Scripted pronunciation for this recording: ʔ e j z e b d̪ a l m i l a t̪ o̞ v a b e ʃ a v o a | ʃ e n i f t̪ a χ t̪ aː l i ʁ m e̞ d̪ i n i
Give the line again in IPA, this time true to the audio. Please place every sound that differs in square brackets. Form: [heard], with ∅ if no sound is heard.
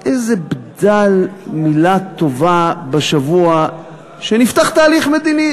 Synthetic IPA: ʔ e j z e b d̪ a l m i l a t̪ o̞ v a b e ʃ a v [u] a | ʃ e n i f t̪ a χ t̪ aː l i [χ] m e̞ d̪ i n i

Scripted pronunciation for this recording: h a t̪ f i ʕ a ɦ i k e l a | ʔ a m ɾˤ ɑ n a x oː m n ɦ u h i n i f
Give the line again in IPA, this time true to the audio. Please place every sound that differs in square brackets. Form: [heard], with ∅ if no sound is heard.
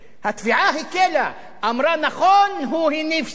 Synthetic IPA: h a t̪ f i ʕ a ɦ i k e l a | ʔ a m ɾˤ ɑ n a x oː [∅] n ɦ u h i n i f

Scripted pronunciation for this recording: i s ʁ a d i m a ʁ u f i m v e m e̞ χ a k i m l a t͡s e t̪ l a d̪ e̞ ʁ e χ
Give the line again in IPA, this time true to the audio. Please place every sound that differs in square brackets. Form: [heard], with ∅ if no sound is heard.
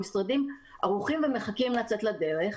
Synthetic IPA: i s ʁ a d i m a ʁ u [χ] i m v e m e̞ χ a k i m l a t͡s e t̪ l a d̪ e̞ ʁ e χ

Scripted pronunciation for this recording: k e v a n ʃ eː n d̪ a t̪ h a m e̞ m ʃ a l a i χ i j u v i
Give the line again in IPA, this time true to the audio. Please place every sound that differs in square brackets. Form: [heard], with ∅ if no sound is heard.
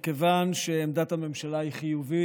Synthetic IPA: k e v a n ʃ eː [m] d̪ a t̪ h a m e̞ m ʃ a l a i χ i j u v i

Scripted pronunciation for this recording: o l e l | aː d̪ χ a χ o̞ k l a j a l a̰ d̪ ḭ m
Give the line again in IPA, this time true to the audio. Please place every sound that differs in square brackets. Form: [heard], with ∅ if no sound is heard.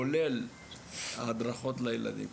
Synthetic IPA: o l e l | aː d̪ [ʁ] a χ o̞ [t] l a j [e] l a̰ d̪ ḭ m

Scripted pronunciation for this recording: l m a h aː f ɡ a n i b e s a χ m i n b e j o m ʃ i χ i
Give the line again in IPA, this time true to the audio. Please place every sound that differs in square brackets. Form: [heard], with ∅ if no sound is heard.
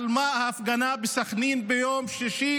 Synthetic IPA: l m a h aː f ɡ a n [a] b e s a χ [n] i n b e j o m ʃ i [ʃ] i

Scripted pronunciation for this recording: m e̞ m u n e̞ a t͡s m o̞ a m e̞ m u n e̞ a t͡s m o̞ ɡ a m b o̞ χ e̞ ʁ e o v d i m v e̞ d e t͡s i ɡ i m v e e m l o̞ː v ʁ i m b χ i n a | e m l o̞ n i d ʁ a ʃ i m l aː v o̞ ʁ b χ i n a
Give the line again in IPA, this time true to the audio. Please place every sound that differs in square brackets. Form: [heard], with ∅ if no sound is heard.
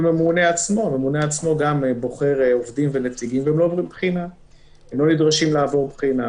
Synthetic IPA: m e̞ m u n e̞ a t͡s m o̞ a m e̞ m u n e̞ a t͡s m o̞ ɡ a m b o̞ χ e̞ ʁ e o v d i m v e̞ [n] e t͡s i ɡ i m v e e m l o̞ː v ʁ i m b χ i n a | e m l o̞ n i d ʁ a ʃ i m l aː v o̞ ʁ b χ i n a

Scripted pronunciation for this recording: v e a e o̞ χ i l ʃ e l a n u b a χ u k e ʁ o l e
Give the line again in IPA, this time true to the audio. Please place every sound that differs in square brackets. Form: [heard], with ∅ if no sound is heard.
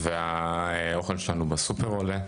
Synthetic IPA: v e a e o̞ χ [e] l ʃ e l a n u b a [s] u [p] e ʁ o l e

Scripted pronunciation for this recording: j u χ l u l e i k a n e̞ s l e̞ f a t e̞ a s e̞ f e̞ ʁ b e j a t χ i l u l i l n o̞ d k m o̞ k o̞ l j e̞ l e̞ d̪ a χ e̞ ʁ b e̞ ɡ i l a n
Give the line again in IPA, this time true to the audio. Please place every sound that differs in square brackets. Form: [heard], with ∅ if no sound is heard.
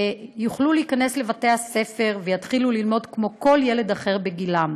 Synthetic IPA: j u χ l u l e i k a n e̞ s l e̞ [v] a t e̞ a s e̞ f e̞ ʁ [v] e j a t χ i l u l i l [m] o̞ d k m o̞ k o̞ l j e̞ l e̞ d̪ a χ e̞ ʁ b e̞ ɡ i l a [m]

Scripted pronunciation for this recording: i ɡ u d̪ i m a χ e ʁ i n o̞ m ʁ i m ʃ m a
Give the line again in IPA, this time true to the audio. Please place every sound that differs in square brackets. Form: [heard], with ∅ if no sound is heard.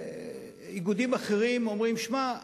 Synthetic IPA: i ɡ u d̪ i m a χ e ʁ i [m] o̞ m ʁ i m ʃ m a

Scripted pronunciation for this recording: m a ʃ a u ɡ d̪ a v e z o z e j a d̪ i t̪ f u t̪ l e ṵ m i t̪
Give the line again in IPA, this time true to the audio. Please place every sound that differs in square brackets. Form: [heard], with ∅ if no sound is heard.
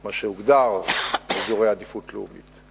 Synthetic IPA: m a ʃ [e] u ɡ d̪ a [ʁ] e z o [ʁ] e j a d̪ i [∅] f u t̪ l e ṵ m i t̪

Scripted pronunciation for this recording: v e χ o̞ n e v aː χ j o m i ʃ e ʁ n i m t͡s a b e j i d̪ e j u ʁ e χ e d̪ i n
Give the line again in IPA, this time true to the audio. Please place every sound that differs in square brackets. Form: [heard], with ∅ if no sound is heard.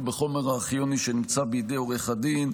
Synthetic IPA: [b] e χ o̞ [m] e [ʁ] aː χ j o [n] i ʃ e [∅] n i m t͡s a b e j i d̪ e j [o] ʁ e χ [a] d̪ i n

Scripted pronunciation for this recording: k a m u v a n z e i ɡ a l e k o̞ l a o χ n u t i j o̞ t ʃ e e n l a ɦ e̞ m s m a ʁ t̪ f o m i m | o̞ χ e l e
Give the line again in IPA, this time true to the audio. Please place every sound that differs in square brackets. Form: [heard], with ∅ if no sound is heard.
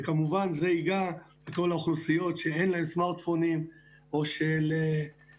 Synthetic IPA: k a m u v a n z e i ɡ a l e k o̞ l a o χ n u [s] i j o̞ t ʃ e e n l a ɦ e̞ m s m a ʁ t̪ f o [n] i m | o̞ [ʃ] e l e

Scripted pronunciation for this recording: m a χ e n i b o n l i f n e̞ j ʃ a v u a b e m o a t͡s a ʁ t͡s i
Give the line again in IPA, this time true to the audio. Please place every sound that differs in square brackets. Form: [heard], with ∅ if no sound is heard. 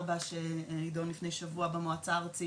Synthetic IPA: [b] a [ʃ] e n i [d] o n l i f n e̞ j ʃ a v u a b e m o a t͡s a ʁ t͡s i

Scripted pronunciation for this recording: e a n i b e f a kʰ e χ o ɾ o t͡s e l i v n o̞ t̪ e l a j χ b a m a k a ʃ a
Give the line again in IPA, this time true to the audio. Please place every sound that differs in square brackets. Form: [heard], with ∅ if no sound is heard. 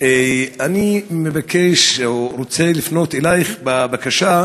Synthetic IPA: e a n i [m] e [v] a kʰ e [ʃ] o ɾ o t͡s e l i [f] n o̞ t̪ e l a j χ b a [b] a k a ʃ a

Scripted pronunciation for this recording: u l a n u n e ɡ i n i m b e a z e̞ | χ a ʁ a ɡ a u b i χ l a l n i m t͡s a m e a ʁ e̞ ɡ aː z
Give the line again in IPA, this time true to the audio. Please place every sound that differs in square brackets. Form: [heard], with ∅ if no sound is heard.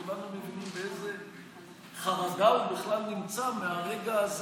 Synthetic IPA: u l a n u [m] e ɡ i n i m b e [e] z e̞ | χ a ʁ a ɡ a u b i χ l a l n i m t͡s a m e a ʁ e̞ ɡ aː z

